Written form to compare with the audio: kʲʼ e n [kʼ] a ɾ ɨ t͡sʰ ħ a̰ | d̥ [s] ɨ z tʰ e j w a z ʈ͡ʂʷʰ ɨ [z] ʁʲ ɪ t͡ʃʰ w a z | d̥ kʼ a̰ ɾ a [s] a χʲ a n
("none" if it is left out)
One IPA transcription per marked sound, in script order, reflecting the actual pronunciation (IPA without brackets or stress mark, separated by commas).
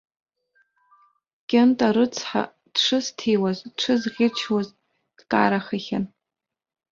tʼ, ʂ, z, χ